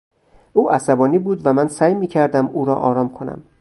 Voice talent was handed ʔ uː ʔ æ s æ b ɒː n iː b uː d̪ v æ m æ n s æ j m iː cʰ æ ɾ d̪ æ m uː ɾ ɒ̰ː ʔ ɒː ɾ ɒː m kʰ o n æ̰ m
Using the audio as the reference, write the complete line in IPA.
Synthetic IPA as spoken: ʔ uː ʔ æ s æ b ɒː n iː b uː d̪ v æ m æ n s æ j m iː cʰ æ ɾ d̪ æ m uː ɾ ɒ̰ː ʔ ɒː ɾ ɒː m kʰ o n æ̰ m